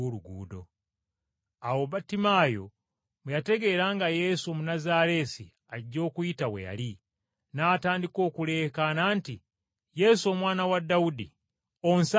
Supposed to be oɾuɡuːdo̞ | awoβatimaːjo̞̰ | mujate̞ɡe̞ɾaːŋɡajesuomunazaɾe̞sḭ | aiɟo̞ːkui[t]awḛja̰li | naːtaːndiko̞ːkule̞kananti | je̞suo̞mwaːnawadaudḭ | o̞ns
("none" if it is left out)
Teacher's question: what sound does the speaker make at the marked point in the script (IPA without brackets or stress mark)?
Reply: t